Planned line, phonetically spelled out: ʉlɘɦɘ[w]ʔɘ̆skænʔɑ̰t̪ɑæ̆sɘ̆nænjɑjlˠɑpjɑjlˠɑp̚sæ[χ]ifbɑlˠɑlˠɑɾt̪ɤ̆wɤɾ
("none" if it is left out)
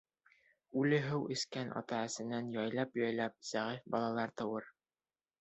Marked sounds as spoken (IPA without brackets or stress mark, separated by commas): w, ʁ